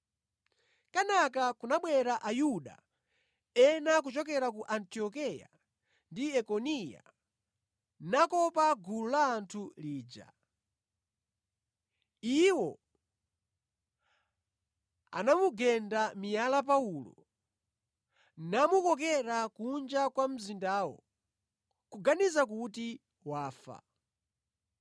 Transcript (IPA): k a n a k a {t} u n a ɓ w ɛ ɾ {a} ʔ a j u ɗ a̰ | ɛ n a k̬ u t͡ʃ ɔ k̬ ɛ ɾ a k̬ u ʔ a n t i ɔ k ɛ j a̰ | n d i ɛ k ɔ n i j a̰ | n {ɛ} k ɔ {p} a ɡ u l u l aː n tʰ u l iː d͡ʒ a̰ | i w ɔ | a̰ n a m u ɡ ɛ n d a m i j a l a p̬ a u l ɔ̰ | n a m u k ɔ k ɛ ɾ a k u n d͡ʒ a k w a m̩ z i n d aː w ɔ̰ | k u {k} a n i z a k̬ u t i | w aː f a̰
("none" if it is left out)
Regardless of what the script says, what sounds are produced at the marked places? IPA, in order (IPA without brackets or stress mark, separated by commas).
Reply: k, a, a, p, ɡ